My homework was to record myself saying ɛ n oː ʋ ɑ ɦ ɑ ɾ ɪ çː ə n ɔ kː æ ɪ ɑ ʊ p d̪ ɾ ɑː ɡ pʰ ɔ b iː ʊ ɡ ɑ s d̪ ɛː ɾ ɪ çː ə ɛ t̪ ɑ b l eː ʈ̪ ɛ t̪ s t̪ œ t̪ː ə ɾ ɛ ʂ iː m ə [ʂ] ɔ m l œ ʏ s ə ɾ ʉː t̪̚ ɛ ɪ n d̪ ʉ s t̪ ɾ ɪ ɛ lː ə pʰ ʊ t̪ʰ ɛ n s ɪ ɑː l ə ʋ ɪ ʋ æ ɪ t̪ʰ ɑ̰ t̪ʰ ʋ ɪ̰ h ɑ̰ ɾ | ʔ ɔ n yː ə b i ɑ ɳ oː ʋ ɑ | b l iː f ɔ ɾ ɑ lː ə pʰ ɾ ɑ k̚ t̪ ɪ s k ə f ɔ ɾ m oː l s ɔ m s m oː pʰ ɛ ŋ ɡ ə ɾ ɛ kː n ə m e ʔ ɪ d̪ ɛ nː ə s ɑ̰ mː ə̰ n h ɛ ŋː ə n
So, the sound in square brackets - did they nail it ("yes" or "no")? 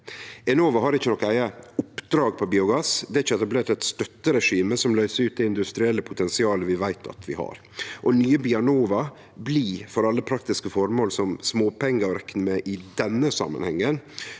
no